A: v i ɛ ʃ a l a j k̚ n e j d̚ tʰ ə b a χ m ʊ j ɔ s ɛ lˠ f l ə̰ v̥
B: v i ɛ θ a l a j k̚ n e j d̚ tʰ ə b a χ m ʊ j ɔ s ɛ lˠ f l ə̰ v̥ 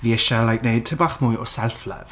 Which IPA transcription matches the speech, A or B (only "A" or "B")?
A